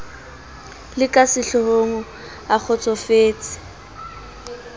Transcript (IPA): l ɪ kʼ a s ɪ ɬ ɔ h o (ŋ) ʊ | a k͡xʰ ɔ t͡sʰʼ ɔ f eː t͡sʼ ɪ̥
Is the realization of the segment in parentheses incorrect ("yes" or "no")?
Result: no